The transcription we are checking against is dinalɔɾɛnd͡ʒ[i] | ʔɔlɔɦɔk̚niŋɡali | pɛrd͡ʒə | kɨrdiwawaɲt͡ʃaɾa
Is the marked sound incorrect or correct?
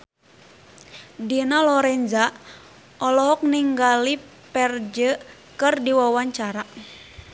incorrect